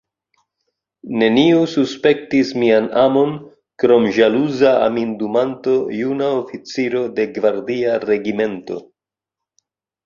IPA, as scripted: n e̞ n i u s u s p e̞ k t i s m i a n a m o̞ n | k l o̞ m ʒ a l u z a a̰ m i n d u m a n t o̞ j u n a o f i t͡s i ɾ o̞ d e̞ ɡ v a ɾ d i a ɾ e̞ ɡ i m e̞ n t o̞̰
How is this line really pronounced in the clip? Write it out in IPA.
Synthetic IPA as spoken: n e̞ n i u s u s p e̞ k t i s m i a n a m o̞ n | k ɾ o̞ m ʒ a l u z a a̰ m i n d u m a n t o̞ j u n a o f i t͡s i ɾ o̞ d e̞ ɡ v a ɾ d i a ɾ e̞ ɡ i m e̞ n t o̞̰